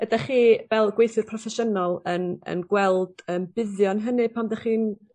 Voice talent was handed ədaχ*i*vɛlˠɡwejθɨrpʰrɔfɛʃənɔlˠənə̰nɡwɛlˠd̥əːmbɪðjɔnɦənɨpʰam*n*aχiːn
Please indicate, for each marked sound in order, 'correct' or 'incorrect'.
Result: incorrect: iː, incorrect: d

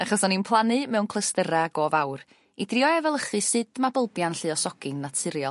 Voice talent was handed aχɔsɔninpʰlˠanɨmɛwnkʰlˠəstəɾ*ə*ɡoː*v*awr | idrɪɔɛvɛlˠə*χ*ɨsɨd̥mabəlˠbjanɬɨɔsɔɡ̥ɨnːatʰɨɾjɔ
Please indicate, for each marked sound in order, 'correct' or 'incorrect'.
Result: incorrect: a, correct, correct

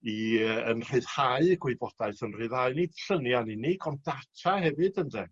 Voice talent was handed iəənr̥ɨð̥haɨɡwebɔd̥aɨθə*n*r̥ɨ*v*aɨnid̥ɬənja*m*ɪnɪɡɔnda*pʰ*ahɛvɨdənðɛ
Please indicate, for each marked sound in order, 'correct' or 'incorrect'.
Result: correct, incorrect: ð, incorrect: n, incorrect: tʰ

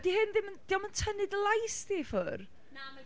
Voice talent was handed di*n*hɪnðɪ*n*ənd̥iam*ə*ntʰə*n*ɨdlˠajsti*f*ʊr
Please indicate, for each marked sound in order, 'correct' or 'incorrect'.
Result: incorrect: none, incorrect: m, correct, correct, correct

